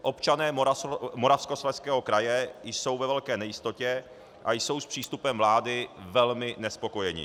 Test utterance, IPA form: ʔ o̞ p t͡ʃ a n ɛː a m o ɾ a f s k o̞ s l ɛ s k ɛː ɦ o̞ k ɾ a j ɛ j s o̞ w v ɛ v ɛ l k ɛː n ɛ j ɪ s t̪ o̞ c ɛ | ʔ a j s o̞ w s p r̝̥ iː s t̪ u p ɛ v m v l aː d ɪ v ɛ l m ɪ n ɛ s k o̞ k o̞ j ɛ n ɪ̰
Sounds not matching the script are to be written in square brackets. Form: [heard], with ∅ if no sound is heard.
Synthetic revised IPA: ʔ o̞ p t͡ʃ a n ɛː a m o ɾ a f s k o̞ s l ɛ s k ɛː ɦ o̞ k ɾ a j ɛ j s o̞ w v ɛ v ɛ l k ɛː n ɛ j ɪ s t̪ o̞ c ɛ | ʔ a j s o̞ w s p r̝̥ iː s t̪ u p ɛ [∅] m v l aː d ɪ v ɛ l m ɪ n ɛ s [p] o̞ k o̞ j ɛ [ɲ] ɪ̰

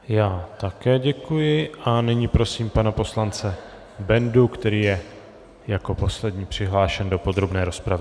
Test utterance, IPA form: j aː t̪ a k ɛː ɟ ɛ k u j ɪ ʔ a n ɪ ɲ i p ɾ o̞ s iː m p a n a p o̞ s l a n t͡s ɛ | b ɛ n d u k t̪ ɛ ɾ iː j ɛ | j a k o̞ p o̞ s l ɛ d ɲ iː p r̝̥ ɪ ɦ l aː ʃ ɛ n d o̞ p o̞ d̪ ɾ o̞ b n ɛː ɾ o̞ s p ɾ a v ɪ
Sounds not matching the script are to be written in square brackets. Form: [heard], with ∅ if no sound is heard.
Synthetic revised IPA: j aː t̪ a k ɛː ɟ ɛ k u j ɪ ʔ a n ɪ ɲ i p ɾ o̞ s iː m p a n a p o̞ s l a n t͡s ɛ | b ɛ n d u k t̪ ɛ ɾ iː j ɛ | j a k o̞ p o̞ s l ɛ d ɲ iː p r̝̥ ɪ ɦ l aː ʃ ɛ n d o̞ p o̞ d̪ ɾ o̞ b n ɛː ɾ o̞ s p ɾ a v ɪ

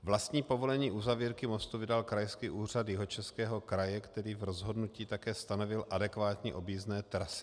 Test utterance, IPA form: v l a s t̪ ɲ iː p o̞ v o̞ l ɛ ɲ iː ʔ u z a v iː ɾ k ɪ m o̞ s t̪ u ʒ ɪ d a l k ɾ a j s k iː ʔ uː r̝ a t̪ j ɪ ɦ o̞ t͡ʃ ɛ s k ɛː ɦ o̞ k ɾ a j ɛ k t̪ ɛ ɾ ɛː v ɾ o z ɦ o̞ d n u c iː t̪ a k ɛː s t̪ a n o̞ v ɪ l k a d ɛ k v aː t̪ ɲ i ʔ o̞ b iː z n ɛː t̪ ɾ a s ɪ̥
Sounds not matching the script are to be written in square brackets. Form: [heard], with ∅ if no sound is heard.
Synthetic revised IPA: v l a s t̪ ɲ iː p o̞ v o̞ l ɛ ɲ iː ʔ u z a v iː ɾ k ɪ m o̞ s t̪ u [v] ɪ d a l k ɾ a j s k iː ʔ uː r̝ a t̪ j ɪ ɦ o̞ t͡ʃ ɛ s k ɛː ɦ o̞ k ɾ a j ɛ k t̪ ɛ ɾ [iː] v ɾ o z ɦ o̞ d n u c iː t̪ a k ɛː s t̪ a n o̞ v ɪ l [ʔ] a d ɛ k v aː t̪ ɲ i ʔ o̞ b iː z n ɛː t̪ ɾ a s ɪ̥

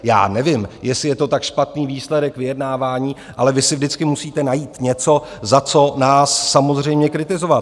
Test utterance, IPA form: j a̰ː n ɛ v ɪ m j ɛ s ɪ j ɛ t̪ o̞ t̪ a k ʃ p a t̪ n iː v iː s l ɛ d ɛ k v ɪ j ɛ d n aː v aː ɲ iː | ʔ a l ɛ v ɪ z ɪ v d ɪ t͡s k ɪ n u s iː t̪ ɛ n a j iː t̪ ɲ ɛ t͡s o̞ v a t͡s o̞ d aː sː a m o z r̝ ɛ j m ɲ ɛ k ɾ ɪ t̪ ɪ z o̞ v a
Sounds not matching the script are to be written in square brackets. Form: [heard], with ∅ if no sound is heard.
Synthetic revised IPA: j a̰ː n ɛ v ɪ m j ɛ s ɪ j ɛ t̪ o̞ t̪ a k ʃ p a t̪ n iː v iː s l ɛ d ɛ k v ɪ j ɛ d n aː v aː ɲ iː | ʔ a l ɛ v ɪ [s] ɪ v d ɪ t͡s k ɪ [m] u s iː t̪ ɛ n a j iː t̪ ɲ ɛ t͡s o̞ [z] a t͡s o̞ [n] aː sː a m o z r̝ ɛ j m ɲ ɛ k ɾ ɪ t̪ ɪ z o̞ v a

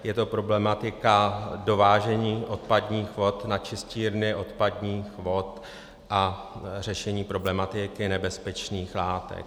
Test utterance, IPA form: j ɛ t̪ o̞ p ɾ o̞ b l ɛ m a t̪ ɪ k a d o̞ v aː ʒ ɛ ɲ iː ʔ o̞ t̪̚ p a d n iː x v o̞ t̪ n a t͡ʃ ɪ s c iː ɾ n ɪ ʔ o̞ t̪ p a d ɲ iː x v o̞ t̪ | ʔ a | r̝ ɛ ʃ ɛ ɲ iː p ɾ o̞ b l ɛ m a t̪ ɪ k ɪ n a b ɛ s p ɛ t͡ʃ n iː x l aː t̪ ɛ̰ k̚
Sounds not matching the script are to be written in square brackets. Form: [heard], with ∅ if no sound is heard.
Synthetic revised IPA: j ɛ t̪ o̞ p ɾ o̞ b l ɛ m a t̪ ɪ k a d o̞ v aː ʒ ɛ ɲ iː ʔ o̞ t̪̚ p a d [ɲ] iː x v o̞ t̪ n a t͡ʃ ɪ s c iː ɾ n ɪ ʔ o̞ t̪ p a d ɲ iː x v o̞ t̪ | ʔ a | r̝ ɛ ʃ ɛ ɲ iː p ɾ o̞ b l ɛ m a t̪ ɪ k ɪ n [ɛ] b ɛ s p ɛ t͡ʃ n iː x l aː t̪ ɛ̰ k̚

